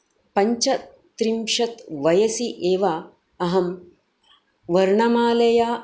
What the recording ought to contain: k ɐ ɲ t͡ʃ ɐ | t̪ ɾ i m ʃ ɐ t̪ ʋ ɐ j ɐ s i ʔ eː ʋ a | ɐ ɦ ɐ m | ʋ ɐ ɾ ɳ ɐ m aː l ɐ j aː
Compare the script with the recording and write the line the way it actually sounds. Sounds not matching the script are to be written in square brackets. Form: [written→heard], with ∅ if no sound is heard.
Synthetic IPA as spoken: [k→p] ɐ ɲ t͡ʃ ɐ | t̪ ɾ i m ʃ ɐ t̪ ʋ ɐ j ɐ s i ʔ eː ʋ a | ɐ ɦ ɐ m | ʋ ɐ ɾ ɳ ɐ m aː l ɐ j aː